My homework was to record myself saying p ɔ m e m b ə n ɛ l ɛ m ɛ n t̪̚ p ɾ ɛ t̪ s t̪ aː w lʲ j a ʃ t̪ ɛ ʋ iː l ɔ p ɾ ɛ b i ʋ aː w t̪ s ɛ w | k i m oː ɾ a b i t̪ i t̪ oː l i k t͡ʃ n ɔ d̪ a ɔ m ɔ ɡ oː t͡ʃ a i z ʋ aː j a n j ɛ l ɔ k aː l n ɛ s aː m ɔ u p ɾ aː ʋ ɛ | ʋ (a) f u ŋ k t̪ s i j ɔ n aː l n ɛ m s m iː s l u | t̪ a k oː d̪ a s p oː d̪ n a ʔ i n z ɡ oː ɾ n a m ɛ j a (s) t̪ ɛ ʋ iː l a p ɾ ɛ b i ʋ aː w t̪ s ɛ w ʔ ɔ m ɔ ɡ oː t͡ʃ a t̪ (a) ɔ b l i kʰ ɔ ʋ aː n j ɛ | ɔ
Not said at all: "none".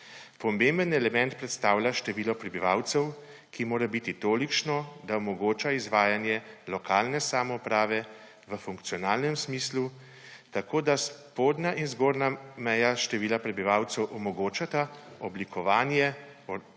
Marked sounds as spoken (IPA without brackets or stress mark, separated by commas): ə, ʃ, a